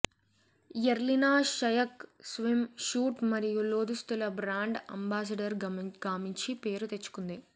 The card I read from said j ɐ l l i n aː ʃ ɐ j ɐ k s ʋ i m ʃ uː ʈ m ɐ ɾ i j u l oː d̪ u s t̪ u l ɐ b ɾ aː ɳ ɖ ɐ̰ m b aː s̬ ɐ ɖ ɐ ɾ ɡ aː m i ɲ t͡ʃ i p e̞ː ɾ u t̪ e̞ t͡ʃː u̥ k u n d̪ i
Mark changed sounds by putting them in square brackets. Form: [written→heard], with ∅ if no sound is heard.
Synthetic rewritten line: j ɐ [l→ɾ] l i n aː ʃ ɐ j ɐ k s ʋ i m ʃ uː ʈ m ɐ ɾ i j u l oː d̪ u s t̪ u l ɐ b ɾ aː ɳ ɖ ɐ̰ m b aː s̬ ɐ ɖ ɐ ɾ ɡ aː m i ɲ t͡ʃ i p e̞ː ɾ u t̪ e̞ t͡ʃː u̥ k u n d̪ i